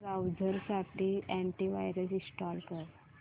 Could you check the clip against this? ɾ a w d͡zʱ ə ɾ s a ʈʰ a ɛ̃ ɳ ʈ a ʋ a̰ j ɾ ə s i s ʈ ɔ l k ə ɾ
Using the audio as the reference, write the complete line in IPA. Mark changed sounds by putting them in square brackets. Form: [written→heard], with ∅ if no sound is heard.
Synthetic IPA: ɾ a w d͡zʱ ə ɾ s a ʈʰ [a→i] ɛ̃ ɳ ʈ [a→i] ʋ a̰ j ɾ ə s i s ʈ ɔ l k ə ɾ